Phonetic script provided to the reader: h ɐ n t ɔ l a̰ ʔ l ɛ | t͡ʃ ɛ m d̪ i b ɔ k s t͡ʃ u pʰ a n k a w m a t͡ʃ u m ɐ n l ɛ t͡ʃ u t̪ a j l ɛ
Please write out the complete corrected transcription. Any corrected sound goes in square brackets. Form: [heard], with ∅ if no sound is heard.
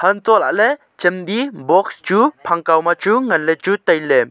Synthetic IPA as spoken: h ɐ n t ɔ l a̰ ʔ l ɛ | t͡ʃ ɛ m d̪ i b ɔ k s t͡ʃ u pʰ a [ŋ] k a w m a t͡ʃ u [ŋ] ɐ n l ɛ t͡ʃ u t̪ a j l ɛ